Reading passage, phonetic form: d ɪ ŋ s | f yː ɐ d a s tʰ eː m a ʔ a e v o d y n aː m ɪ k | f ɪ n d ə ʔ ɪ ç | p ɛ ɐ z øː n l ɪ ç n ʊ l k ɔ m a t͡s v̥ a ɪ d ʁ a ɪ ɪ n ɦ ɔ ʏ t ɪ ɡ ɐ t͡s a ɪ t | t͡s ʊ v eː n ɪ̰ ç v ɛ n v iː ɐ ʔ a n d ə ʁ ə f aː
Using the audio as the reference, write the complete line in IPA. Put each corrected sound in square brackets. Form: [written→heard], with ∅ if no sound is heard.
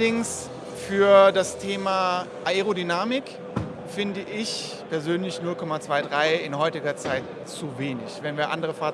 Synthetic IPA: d ɪ ŋ s | f yː ɐ d a s tʰ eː m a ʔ a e [v→ʁ] o d y n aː m ɪ k | f ɪ n d ə ʔ ɪ ç | p ɛ ɐ z øː n l ɪ ç n ʊ l k ɔ m a t͡s v̥ a ɪ d ʁ a ɪ ɪ n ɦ ɔ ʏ t ɪ ɡ ɐ t͡s a ɪ t | t͡s [ʊ→u] v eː n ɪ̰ ç v ɛ n v iː ɐ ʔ a n d ə ʁ ə f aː